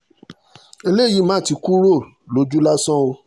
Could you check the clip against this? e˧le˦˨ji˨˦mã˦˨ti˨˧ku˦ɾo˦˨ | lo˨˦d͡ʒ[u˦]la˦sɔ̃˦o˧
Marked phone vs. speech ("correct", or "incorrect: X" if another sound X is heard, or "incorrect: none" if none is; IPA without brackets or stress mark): correct